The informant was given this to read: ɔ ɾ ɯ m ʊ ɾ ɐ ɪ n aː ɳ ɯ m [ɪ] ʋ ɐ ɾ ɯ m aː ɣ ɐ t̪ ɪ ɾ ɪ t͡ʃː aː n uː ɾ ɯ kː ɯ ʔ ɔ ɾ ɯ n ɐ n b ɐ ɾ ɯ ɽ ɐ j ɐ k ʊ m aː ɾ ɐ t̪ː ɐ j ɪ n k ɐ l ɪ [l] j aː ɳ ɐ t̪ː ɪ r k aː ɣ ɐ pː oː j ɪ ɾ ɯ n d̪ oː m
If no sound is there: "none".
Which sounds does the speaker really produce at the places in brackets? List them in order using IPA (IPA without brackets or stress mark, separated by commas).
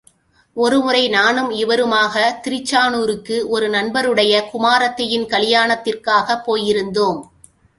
ɪ, none